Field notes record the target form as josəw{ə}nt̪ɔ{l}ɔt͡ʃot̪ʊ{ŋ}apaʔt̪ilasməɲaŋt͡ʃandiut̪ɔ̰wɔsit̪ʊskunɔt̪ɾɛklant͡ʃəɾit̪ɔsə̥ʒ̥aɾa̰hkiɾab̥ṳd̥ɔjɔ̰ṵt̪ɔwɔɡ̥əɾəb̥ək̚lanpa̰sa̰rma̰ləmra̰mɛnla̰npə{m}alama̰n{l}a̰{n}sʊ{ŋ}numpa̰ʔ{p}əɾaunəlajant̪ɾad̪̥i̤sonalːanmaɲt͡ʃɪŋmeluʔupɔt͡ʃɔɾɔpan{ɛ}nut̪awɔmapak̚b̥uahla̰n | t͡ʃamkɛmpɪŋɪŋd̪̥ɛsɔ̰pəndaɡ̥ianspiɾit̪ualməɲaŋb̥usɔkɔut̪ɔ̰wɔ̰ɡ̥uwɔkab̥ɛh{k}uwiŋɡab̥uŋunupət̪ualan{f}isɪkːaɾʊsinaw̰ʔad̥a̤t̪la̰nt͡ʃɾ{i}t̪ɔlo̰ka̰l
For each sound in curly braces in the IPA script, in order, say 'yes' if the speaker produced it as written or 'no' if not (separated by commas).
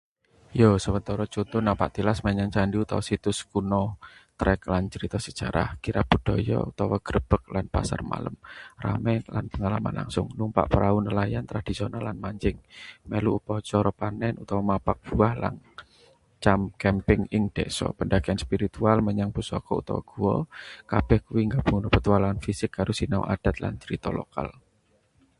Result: yes, no, no, no, yes, no, yes, yes, yes, yes, yes, yes